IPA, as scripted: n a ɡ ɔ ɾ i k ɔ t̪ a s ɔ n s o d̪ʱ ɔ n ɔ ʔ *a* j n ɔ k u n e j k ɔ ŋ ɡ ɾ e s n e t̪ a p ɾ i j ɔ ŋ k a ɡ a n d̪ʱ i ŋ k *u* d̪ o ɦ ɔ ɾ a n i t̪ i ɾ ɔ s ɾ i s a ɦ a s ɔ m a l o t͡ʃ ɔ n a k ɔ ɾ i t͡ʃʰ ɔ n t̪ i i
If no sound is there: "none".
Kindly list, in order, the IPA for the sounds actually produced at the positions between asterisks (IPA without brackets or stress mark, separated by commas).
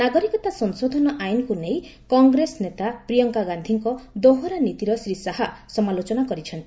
a, ɔ